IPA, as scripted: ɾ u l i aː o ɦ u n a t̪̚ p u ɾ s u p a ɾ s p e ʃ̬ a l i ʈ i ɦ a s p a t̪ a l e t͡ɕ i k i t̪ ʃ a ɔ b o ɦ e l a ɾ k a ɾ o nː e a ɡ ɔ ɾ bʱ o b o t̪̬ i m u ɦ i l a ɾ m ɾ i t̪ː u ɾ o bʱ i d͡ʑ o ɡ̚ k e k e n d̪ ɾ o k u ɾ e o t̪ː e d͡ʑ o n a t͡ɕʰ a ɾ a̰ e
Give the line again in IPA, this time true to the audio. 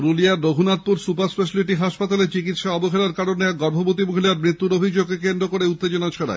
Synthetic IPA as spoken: ɾ u l i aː o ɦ u n a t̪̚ p u ɾ s u p a ɾ s p e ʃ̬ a l i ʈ i ɦ a ʃ p a t̪ a l e t͡ɕ i k i t̪ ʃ a ɔ b o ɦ e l a ɾ k a ɾ o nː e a ɡ ɔ ɾ bʱ o b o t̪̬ i m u ɦ i l a ɾ m ɾ i t̪ː u ɾ o bʱ i d͡ʑ o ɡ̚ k e k e n d̪ ɾ o k o ɾ e u t̪ː e d͡ʑ o n a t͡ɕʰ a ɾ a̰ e

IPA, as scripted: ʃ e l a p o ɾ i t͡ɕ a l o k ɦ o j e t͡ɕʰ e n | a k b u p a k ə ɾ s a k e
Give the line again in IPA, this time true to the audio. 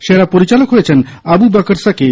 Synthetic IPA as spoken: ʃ e ɾ a p o ɾ i t͡ɕ a l o k ɦ o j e t͡ɕʰ e n | a b u b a k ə ɾ s a k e

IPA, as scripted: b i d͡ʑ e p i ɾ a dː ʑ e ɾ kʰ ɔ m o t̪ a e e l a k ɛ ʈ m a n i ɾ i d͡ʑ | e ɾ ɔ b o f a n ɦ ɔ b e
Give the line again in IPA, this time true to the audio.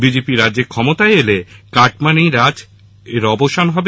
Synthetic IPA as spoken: b i d͡ʑ e p i ɾ a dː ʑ e ɾ kʰ ɔ m o t̪ a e e l e k a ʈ m a n i ɾ a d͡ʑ | e ɾ ɔ b o ʃ a n ɦ ɔ b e

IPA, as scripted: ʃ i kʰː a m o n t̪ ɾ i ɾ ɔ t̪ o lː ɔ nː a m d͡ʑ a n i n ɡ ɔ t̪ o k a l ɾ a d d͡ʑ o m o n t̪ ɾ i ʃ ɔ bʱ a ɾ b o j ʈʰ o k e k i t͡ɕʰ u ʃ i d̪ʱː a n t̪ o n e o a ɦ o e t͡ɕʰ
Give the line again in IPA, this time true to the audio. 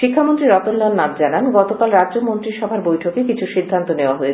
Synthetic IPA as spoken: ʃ i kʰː a m o n t̪ ɾ i ɾ ɔ t̪ o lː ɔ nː a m d͡ʑ a n a n ɡ ɔ t̪ o k a l ɾ a d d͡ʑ o m o n t̪ ɾ i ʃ ɔ bʱ a ɾ b o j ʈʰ o k e k i t͡ɕʰ u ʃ i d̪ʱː a n t̪ o n e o a ɦ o e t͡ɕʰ

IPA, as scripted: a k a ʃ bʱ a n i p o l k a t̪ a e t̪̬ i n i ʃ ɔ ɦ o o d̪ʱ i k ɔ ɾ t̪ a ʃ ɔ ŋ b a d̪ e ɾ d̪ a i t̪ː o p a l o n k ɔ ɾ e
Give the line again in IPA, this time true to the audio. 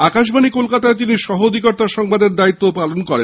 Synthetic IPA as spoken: a k a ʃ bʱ a n i k o l k a t̪ a e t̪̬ i n i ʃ ɔ ɦ o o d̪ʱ i k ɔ ɾ t̪ a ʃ ɔ ŋ b a d̪ e ɾ d̪ a i t̪ː o p a l o n k ɔ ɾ e

